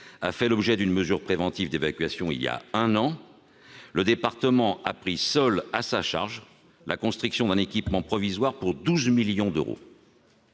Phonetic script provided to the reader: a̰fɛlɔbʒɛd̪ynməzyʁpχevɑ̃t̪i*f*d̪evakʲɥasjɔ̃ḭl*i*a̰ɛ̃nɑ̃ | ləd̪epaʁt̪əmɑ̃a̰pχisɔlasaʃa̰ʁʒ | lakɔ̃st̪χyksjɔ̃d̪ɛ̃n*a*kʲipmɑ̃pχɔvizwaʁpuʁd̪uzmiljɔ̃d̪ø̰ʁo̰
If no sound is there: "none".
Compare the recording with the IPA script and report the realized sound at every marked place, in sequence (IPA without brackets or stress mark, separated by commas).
v, j, e